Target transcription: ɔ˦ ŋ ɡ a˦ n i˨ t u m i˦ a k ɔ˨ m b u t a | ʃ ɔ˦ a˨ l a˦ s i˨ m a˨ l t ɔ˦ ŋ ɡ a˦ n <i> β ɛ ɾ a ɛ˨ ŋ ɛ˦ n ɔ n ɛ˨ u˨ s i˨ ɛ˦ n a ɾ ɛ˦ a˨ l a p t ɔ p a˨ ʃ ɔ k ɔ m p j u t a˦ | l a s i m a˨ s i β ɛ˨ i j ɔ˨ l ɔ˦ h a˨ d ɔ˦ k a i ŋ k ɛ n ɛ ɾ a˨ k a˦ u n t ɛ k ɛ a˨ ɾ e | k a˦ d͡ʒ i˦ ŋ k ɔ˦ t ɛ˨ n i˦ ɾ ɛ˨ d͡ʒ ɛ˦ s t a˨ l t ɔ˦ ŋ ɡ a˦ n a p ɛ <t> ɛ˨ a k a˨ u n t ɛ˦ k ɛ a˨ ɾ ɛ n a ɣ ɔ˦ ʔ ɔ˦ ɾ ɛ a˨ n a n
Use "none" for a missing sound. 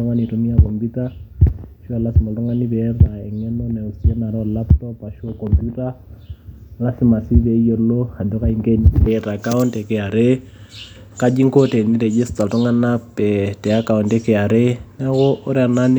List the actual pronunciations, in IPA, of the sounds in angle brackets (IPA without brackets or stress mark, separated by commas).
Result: i, t